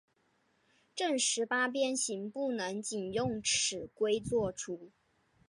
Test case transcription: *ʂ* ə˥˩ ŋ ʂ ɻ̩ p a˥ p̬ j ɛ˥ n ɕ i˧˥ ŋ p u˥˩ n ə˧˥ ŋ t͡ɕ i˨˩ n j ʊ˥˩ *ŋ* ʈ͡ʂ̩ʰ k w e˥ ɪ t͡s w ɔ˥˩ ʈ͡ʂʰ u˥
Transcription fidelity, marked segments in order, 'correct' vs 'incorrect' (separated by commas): incorrect, correct